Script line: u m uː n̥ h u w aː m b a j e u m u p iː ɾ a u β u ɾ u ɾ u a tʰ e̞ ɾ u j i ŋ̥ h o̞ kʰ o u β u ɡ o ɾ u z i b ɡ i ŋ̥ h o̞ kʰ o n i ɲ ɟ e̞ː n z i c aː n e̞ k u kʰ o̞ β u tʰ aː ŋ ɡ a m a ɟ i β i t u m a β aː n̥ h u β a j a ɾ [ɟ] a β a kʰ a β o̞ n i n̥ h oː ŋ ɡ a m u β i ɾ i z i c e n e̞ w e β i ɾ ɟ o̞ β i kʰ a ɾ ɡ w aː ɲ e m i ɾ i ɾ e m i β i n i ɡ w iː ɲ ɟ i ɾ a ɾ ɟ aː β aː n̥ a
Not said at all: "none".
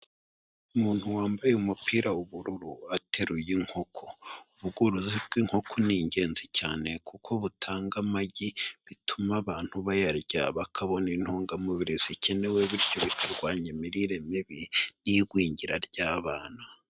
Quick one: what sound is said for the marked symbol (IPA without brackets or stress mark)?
ɟ